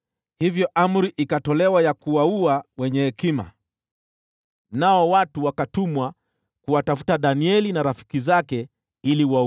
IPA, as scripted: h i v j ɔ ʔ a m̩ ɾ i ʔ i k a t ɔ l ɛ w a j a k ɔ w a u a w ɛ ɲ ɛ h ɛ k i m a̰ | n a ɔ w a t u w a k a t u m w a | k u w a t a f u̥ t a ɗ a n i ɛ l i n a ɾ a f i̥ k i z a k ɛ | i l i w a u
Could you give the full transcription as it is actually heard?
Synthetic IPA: h i v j ɔ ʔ a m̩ ɾ i ʔ i k a t ɔ l ɛ w a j a k u w a u a w ɛ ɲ ɛ h ɛ k i m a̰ | n a ɔ w a t u w a k a t u m w a | k u w a t a f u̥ t a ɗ a n i ɛ l i n a ɾ a f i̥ k i z a k ɛ | i l i w a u